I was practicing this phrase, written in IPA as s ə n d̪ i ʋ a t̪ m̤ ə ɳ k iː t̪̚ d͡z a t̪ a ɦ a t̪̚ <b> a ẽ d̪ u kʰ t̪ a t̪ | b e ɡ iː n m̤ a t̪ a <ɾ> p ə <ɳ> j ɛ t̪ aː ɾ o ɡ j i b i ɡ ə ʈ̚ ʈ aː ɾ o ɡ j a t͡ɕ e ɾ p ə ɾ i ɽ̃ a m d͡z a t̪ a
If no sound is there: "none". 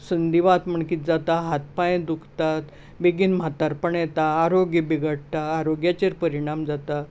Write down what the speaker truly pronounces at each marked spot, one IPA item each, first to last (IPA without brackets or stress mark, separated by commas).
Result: p, ɾ, ɳ